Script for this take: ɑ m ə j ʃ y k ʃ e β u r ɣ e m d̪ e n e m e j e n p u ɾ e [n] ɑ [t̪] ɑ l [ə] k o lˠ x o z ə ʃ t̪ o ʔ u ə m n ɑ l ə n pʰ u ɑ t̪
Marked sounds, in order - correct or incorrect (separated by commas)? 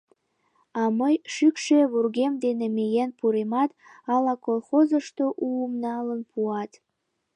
incorrect, correct, incorrect